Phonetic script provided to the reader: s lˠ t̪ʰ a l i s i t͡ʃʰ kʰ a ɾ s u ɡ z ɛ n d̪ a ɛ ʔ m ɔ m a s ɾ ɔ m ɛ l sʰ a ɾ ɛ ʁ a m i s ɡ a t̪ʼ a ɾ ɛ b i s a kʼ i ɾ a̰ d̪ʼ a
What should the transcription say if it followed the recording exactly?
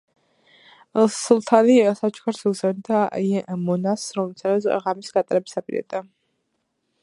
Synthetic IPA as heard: s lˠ t̪ʰ a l i s a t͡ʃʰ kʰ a ɾ s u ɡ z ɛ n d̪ a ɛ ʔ m ɔ n a s ɾ ɔ m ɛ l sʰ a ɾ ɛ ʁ a m i s ɡ a t̪ʼ a ɾ ɛ b i s a pʼ i ɾ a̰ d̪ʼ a